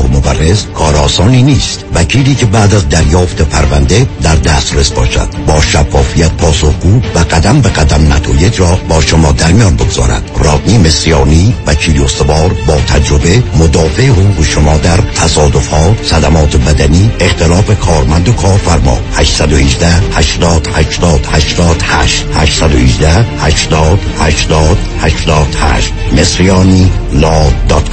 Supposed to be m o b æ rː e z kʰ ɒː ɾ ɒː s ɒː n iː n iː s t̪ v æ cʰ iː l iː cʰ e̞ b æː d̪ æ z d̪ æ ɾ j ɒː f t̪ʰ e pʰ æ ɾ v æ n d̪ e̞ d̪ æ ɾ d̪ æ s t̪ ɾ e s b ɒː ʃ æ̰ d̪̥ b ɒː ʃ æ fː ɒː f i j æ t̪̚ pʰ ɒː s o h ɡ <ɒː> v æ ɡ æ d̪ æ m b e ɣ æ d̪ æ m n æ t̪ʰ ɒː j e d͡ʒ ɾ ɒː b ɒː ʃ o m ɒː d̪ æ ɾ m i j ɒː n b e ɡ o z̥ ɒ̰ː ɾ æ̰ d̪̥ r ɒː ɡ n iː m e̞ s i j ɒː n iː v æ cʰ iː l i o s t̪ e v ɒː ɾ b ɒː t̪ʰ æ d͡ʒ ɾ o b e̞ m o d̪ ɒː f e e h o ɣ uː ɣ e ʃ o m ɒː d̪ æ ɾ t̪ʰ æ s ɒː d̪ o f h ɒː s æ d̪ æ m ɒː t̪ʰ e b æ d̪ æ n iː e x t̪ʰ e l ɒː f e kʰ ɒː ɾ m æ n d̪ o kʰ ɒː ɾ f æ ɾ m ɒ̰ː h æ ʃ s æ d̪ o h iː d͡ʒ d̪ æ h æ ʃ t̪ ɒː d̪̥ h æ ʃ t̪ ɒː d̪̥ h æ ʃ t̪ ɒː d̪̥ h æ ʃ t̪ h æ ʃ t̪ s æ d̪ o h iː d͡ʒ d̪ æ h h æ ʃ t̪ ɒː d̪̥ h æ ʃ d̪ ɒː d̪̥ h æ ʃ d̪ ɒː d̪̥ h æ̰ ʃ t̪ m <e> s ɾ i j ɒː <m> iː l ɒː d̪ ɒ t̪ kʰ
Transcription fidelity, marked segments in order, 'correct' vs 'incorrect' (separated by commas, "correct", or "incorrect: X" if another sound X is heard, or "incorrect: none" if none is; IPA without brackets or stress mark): incorrect: uː, correct, incorrect: n